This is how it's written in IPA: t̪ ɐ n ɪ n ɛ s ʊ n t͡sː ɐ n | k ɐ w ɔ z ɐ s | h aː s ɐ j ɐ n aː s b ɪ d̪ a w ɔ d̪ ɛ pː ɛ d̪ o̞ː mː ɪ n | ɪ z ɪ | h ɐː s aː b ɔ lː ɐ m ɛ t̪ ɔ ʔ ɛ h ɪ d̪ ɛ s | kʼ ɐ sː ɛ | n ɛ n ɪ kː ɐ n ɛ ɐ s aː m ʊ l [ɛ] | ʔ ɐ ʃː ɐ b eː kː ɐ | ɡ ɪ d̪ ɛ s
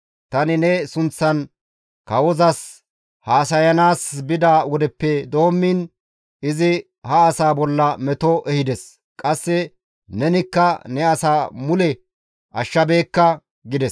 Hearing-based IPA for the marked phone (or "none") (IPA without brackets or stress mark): ɛ